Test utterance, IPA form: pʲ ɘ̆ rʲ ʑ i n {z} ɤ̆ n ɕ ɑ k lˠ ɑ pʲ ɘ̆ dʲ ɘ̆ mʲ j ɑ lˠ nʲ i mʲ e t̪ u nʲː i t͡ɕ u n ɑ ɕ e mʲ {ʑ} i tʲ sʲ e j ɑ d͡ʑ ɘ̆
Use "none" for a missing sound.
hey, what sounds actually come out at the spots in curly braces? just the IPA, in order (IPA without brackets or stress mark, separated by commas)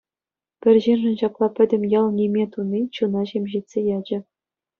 ʐ, ʑ